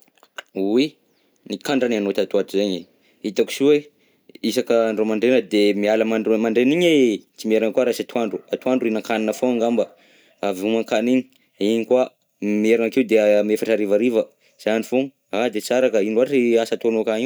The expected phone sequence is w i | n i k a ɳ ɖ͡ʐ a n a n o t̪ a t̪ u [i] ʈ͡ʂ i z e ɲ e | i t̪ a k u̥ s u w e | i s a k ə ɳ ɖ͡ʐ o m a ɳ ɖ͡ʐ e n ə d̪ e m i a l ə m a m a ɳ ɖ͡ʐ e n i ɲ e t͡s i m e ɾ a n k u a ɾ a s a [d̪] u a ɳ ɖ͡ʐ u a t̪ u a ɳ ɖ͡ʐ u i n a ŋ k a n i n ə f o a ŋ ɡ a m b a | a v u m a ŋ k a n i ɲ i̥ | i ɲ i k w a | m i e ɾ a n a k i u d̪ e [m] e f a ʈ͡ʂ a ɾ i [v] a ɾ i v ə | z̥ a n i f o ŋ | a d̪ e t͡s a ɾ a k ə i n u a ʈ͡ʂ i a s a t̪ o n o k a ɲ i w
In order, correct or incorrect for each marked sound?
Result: incorrect, incorrect, correct, correct

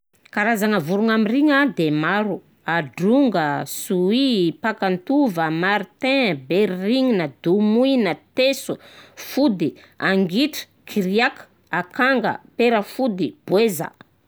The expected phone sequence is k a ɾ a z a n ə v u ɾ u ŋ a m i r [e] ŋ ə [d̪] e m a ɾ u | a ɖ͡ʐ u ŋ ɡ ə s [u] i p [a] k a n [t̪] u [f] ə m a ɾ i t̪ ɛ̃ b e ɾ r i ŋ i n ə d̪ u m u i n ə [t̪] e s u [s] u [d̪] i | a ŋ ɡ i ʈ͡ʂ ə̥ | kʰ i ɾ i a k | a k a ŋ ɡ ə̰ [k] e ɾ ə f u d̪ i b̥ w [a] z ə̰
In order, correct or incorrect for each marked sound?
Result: incorrect, correct, correct, correct, correct, incorrect, correct, incorrect, correct, incorrect, incorrect

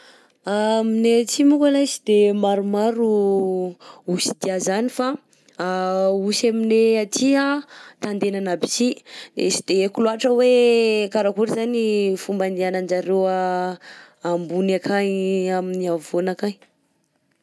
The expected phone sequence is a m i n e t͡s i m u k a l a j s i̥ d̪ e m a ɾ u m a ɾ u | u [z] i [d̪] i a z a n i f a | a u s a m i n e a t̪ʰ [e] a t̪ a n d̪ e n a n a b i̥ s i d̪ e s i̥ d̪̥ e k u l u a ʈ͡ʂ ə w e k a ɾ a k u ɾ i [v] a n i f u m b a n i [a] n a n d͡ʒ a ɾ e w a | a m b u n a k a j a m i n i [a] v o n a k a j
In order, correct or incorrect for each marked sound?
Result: incorrect, correct, incorrect, incorrect, correct, correct

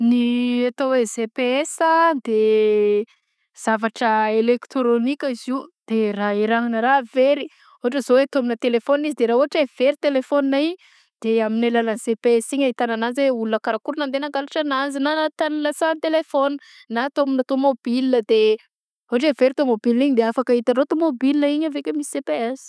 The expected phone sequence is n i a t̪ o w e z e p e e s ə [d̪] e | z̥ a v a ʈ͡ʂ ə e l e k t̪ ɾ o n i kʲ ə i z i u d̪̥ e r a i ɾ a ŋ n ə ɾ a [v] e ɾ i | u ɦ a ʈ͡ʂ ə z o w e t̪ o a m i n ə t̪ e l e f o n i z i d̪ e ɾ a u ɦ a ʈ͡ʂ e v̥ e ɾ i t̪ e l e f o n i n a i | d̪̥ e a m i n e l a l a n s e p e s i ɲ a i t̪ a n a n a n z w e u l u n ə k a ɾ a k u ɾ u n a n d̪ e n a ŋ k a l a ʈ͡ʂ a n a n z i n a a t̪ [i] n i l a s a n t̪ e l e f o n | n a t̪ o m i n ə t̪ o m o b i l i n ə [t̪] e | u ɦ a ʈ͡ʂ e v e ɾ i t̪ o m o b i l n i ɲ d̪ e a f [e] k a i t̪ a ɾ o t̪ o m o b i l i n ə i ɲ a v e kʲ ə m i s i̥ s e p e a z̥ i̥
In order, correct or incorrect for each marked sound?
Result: correct, correct, incorrect, incorrect, incorrect

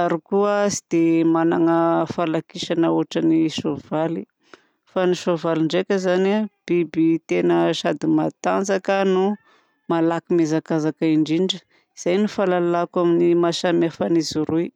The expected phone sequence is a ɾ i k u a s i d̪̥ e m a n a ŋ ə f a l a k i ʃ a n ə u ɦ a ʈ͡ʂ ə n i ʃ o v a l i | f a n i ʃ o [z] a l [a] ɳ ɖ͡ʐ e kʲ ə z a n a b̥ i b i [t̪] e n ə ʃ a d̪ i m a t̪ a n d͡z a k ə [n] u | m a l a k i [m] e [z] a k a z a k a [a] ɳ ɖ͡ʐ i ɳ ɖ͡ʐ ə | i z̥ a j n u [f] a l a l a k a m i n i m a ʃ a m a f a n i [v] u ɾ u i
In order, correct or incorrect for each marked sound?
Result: incorrect, incorrect, correct, correct, correct, correct, incorrect, correct, incorrect

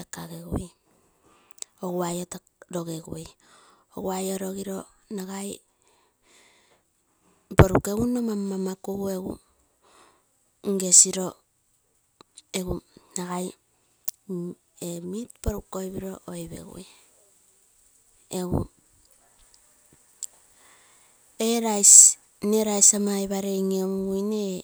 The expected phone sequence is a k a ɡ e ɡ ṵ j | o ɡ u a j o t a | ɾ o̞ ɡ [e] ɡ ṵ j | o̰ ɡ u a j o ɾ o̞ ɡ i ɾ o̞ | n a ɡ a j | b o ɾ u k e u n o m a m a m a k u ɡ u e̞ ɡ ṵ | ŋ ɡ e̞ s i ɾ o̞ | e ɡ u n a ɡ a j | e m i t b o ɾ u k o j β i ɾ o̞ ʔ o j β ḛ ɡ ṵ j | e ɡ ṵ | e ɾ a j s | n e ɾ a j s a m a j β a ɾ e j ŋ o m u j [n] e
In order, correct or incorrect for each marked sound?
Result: correct, correct

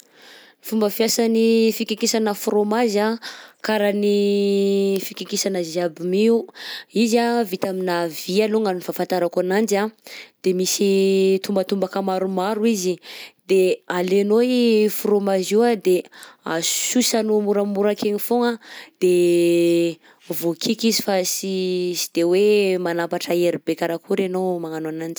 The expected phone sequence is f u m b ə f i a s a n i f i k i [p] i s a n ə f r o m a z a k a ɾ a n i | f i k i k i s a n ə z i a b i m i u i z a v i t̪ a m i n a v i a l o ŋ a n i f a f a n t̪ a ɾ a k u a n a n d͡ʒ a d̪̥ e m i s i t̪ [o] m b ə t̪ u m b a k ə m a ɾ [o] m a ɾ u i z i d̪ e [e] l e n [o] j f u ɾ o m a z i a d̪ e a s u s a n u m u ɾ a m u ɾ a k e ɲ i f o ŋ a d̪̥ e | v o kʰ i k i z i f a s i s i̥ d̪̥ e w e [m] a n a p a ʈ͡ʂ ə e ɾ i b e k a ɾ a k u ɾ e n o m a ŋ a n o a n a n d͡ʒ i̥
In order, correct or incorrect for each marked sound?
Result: incorrect, incorrect, incorrect, incorrect, correct, correct

